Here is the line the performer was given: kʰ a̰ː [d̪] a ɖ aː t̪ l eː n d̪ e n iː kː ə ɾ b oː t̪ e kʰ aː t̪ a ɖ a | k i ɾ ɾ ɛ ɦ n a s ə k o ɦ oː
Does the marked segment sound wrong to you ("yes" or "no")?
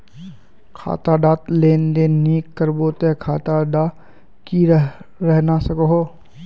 yes